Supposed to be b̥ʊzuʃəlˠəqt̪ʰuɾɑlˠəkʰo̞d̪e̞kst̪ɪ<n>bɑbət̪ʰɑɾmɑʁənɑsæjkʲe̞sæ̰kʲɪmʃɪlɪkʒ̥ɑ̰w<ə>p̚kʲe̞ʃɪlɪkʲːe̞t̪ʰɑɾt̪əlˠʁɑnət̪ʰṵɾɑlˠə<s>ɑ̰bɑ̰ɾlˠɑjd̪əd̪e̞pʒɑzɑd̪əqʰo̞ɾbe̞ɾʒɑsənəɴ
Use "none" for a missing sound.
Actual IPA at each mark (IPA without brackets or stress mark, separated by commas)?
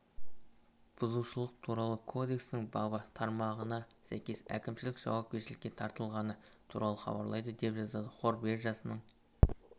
ŋ, ɑ, χ